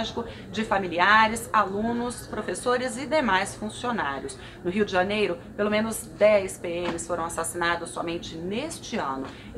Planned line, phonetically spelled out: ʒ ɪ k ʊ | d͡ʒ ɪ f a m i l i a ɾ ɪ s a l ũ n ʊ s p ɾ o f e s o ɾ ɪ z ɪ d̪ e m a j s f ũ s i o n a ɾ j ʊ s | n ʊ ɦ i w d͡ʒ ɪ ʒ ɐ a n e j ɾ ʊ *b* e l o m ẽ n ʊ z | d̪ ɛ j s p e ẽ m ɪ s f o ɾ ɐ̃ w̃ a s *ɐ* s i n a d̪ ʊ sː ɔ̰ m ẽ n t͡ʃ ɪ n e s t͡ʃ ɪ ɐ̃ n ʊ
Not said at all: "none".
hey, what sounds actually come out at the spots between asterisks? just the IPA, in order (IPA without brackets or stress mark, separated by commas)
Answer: p, a